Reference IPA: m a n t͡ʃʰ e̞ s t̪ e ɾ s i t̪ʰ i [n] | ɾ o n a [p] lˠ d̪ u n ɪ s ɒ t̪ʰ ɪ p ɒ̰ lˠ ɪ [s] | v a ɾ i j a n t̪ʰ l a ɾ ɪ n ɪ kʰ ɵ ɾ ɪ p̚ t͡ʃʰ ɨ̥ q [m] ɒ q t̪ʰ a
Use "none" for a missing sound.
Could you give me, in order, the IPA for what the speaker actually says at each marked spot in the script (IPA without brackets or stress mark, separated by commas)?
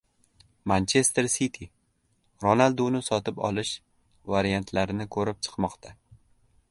none, none, ʃ, m